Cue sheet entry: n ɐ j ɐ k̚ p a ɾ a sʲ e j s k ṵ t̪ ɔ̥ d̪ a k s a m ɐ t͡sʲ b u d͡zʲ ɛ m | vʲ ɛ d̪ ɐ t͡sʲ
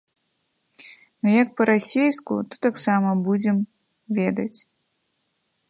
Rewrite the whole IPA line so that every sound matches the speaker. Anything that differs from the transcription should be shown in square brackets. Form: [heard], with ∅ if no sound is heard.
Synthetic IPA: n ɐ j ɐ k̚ p [ɐ] ɾ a sʲ e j s k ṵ t̪ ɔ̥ [t̪] a k s a m ɐ [∅] b u d͡zʲ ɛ m | vʲ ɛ d̪ ɐ t͡sʲ